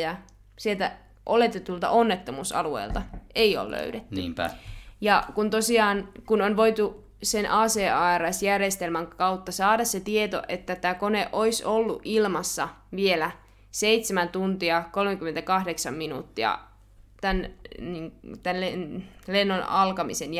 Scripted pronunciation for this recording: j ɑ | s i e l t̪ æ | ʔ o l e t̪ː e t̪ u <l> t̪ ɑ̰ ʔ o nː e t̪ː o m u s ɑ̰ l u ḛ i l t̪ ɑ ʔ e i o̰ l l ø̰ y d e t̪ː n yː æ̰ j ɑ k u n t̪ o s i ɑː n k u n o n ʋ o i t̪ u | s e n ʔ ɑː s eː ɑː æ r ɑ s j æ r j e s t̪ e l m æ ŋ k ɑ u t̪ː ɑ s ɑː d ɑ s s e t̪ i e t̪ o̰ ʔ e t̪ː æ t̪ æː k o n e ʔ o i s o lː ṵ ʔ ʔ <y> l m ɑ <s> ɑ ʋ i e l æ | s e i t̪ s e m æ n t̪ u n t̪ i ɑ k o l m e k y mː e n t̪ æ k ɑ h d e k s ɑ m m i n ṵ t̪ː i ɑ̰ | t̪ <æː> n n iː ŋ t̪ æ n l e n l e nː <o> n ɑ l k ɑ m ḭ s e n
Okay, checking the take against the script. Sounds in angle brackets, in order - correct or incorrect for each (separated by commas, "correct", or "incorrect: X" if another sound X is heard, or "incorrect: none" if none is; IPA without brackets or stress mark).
correct, incorrect: i, incorrect: sː, incorrect: æ, correct